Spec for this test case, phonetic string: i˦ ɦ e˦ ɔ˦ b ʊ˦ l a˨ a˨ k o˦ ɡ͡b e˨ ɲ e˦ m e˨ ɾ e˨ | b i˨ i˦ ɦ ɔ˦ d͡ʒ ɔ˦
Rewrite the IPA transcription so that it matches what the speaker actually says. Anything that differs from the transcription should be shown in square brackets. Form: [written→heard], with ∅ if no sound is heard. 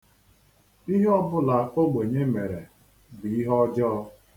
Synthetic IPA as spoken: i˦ ɦ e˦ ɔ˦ b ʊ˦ l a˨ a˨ k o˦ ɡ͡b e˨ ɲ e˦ m e˨ ɾ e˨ | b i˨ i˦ ɦ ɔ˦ d͡ʒ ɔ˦